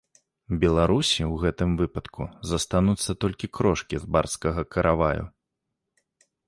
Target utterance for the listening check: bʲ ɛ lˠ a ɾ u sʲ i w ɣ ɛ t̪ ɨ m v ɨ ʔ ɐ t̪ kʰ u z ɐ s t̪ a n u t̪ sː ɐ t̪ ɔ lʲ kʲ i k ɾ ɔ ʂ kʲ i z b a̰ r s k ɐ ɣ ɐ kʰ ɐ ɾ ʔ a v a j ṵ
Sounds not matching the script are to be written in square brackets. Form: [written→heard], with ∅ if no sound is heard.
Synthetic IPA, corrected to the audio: bʲ ɛ lˠ a ɾ u sʲ i w ɣ ɛ t̪ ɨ m v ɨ [ʔ→p] ɐ t̪ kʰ u z ɐ s t̪ a n u t̪ sː ɐ t̪ ɔ lʲ kʲ i k ɾ ɔ ʂ kʲ i z b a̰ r s k ɐ ɣ ɐ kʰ ɐ ɾ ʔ a v a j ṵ